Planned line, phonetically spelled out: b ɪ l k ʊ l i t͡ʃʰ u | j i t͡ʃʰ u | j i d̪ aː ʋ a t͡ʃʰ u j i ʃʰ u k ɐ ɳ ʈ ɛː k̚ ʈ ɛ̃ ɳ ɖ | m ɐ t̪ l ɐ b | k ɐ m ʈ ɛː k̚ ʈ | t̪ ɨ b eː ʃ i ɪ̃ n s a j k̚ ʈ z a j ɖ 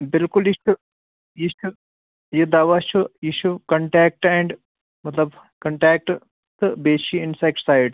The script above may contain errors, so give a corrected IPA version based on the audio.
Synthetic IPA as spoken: b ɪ l k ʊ l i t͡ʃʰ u | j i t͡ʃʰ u | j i d̪ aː ʋ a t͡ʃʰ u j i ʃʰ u k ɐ ɳ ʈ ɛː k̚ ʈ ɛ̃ ɳ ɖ | m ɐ t̪ l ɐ b | k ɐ ɳ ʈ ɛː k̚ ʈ | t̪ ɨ b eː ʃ i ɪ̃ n s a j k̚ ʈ s a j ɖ